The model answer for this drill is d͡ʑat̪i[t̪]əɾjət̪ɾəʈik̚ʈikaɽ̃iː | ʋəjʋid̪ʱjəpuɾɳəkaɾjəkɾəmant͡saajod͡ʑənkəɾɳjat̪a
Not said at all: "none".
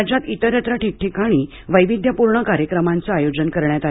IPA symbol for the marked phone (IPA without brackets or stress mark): t̪